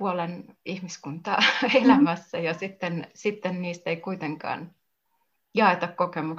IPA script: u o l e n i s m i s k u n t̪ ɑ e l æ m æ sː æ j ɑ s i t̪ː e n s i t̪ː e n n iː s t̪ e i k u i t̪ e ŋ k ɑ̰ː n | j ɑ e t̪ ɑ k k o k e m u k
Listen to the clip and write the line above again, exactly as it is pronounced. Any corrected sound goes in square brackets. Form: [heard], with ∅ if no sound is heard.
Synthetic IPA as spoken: u o l e n i [h] m i s k u n t̪ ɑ e l æ m æ sː æ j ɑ s i t̪ː e n s i t̪ː e n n iː s t̪ e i k u i t̪ e ŋ k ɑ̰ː n | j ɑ e t̪ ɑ k k o k e m u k